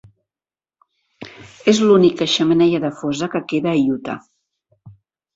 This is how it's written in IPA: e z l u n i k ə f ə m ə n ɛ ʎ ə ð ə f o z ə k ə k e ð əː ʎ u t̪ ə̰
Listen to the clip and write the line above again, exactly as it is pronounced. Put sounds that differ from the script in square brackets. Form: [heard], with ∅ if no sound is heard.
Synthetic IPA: e z l u n i k ə [ʃ] ə m ə n ɛ ʎ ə ð ə f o z ə k ə k e ð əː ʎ u t̪ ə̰